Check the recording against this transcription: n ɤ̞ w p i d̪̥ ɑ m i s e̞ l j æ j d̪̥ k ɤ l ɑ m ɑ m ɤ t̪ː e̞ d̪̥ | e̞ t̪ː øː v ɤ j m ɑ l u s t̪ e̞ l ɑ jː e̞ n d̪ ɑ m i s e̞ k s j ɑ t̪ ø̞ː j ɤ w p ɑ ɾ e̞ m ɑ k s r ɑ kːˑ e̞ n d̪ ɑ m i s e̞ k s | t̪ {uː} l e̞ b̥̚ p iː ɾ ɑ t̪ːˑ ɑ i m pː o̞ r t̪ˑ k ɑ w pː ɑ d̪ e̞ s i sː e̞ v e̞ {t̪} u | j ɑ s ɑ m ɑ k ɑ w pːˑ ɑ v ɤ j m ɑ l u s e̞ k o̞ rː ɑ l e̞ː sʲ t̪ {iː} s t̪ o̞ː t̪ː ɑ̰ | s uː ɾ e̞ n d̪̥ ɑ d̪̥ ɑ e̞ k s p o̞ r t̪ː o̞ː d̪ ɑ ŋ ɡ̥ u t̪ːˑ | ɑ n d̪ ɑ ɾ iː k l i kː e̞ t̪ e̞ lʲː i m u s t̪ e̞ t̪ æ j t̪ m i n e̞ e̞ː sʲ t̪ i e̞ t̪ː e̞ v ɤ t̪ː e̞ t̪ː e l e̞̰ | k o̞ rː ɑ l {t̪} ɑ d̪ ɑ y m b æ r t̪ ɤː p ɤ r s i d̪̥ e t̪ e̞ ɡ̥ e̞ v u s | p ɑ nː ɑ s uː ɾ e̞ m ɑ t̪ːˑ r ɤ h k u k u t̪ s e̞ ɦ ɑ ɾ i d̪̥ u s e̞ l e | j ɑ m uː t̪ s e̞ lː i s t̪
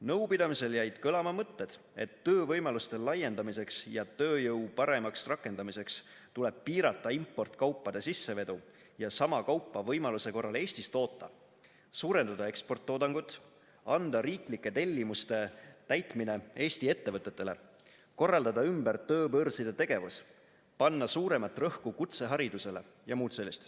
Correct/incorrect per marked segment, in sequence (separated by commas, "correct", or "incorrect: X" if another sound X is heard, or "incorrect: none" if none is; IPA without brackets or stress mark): incorrect: u, incorrect: d̪, incorrect: i, incorrect: d̪